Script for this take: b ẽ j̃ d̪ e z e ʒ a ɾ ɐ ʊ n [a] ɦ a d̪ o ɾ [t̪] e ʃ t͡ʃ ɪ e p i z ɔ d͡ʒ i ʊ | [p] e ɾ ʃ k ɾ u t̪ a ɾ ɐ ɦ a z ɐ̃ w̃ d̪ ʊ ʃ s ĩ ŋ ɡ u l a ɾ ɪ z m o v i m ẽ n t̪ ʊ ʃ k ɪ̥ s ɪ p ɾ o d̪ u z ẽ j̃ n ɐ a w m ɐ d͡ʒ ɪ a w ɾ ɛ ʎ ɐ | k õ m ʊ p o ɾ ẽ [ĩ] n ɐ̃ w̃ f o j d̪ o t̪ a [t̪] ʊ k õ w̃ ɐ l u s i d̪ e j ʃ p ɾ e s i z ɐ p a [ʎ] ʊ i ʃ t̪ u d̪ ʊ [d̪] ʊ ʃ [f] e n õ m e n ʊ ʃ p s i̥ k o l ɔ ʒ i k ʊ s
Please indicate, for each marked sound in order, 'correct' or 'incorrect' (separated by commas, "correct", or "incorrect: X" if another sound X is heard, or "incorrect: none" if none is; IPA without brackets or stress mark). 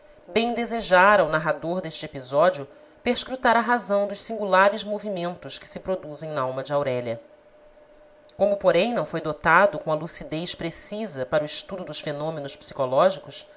correct, incorrect: d̪, correct, incorrect: j̃, incorrect: d̪, incorrect: ɾ, correct, correct